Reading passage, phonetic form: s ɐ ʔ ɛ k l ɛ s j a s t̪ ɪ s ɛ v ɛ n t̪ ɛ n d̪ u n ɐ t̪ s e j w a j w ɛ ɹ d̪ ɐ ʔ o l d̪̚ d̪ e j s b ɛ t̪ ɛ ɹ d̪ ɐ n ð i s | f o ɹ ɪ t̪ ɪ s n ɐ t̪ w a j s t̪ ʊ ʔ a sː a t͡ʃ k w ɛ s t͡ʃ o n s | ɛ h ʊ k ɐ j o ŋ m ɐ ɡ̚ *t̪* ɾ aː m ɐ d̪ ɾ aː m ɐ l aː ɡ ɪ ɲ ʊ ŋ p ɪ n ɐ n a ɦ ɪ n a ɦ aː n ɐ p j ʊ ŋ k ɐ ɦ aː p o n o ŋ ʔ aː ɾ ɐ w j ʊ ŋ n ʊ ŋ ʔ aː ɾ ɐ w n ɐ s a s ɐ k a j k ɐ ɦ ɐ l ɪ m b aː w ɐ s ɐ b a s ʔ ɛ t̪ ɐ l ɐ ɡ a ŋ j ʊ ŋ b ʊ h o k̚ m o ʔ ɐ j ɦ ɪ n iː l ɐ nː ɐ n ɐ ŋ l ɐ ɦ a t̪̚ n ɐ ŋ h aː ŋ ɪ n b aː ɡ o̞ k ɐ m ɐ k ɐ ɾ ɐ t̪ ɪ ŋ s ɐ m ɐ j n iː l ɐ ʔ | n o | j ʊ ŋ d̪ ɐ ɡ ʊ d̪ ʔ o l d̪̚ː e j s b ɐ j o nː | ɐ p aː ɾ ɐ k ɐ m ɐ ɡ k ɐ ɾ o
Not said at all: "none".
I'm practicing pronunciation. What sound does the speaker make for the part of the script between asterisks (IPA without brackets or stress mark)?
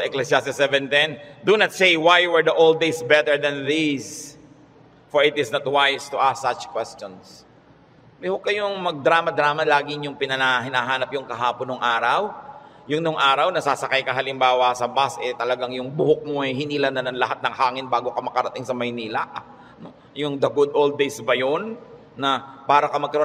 d̪